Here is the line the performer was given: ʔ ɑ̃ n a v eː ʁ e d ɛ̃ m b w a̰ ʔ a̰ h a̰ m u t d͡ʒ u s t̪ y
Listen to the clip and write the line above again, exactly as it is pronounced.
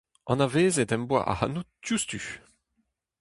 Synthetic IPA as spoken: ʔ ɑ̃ n a v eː z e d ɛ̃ m b w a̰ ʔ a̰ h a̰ n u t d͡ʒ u s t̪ y

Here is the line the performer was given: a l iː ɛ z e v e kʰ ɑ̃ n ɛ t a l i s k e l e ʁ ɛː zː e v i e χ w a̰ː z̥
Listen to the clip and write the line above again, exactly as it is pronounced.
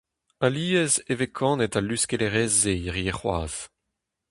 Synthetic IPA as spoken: a l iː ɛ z e v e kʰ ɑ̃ n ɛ t a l y s k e l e ʁ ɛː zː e ʁ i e χ w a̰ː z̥

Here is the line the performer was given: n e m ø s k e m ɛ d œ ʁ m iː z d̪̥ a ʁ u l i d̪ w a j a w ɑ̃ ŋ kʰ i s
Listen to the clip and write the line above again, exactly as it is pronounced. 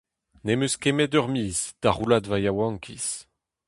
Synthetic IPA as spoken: n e m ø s k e m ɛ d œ ʁ m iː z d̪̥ a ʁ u l a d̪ v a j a w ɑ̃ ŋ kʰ i s

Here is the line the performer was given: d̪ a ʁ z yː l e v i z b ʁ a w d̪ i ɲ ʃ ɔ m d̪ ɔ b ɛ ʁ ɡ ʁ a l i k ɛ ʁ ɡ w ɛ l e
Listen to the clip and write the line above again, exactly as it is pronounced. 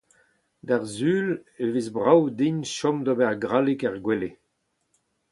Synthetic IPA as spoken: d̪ a ʁ z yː l e v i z b ʁ a w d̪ i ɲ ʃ ɔ m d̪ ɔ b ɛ ʁ ɡ ʁ a l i k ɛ ʁ ɡ w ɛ l e

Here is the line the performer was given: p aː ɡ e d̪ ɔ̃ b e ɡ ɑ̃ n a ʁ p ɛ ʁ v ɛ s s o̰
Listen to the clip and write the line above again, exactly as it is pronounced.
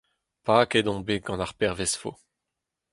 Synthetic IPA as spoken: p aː k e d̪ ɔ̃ b e ɡ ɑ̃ n a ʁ p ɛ ʁ v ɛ s f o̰

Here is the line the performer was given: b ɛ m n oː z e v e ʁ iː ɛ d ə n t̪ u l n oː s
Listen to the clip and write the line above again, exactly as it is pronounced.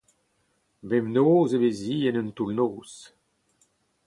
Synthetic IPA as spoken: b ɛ m n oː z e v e z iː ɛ n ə n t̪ u l n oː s

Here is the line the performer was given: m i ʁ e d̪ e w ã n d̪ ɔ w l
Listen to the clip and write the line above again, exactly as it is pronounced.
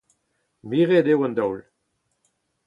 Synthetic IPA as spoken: m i ʁ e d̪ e w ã n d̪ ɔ w l

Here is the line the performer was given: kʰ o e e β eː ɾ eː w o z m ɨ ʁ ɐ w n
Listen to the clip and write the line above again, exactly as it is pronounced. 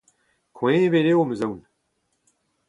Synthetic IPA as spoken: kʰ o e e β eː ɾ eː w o m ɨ z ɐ w n

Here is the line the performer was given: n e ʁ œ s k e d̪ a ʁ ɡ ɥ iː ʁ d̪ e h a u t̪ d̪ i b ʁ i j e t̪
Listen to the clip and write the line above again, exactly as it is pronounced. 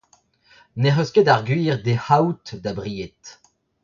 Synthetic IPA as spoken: n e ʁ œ s k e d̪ a ʁ ɡ ɥ iː ʁ d̪ e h a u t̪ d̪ a b ʁ i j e t̪

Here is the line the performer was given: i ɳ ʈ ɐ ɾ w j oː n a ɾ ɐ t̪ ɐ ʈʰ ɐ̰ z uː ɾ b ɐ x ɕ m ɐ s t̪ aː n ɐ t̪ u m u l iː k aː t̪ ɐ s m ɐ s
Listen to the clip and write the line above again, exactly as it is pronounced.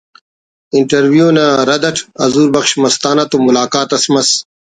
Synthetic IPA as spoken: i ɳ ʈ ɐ ɾ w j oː n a ɾ ɐ d̪ ɐ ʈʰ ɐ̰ z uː ɾ b ɐ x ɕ m ɐ s t̪ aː n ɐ t̪ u m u l aː k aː t̪ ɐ s m ɐ s

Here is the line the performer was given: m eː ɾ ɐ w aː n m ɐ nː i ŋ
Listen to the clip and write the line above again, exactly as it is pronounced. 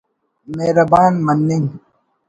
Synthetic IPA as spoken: m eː ɾ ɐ b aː n m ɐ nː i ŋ

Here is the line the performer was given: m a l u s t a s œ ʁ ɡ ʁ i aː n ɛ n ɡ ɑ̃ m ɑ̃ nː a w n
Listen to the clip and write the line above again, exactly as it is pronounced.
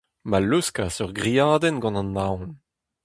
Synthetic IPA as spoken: m a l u s k a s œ ʁ ɡ ʁ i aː d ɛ n ɡ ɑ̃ n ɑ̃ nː a w n

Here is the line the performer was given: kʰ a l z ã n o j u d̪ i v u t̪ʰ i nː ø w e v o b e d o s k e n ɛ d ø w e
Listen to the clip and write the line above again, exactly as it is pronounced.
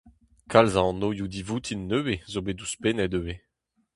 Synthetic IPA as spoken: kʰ a l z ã n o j u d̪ i v u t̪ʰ i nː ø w e z o b e d u s p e n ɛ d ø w e

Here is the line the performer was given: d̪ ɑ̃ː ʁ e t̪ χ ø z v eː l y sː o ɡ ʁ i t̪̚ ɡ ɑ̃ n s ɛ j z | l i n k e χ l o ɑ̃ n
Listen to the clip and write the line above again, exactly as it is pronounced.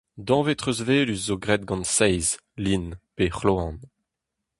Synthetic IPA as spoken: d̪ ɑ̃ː v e t̪ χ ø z v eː l y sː o ɡ ʁ ɛ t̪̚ ɡ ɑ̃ n s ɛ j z | l i n p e χ l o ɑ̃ n

